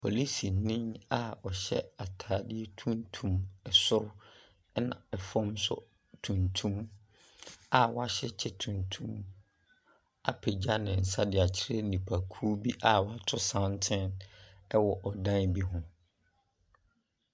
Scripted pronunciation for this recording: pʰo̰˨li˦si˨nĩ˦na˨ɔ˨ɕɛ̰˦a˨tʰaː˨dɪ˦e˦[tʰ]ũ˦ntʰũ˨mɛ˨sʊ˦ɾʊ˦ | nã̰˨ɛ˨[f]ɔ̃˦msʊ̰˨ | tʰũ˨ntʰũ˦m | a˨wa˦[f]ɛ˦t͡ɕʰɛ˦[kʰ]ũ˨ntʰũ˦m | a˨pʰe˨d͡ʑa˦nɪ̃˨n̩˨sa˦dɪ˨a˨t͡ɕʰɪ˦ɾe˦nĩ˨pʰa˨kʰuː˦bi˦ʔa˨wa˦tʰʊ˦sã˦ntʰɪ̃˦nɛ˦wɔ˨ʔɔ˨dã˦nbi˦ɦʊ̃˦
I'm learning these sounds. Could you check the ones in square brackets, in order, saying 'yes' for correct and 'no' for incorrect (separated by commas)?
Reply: yes, yes, no, no